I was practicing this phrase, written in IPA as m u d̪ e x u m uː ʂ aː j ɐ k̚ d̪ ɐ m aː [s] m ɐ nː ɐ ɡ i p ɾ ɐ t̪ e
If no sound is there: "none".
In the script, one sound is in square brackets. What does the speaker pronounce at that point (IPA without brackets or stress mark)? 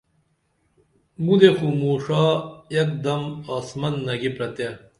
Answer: s